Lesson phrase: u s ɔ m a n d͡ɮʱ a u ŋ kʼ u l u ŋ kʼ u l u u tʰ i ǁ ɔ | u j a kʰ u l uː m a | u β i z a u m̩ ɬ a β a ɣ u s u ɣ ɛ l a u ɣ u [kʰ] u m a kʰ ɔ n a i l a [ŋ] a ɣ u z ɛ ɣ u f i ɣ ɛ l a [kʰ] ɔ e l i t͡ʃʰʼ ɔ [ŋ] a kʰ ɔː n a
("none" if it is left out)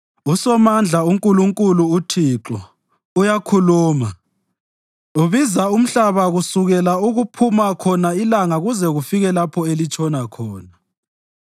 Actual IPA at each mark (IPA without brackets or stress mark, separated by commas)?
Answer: pʰ, ŋ, pʰ, n